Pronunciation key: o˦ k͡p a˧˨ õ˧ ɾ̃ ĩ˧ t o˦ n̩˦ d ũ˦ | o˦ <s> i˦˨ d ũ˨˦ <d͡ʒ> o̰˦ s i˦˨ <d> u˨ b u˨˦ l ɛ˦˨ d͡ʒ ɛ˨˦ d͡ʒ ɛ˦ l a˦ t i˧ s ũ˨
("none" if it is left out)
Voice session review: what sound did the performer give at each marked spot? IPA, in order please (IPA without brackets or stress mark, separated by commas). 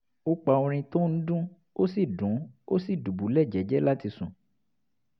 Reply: s, none, d